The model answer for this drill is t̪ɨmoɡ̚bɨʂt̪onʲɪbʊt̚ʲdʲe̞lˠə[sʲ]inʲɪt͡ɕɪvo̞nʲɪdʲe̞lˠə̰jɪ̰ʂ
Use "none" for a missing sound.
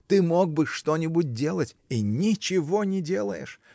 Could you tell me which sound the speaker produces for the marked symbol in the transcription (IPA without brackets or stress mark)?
tʲ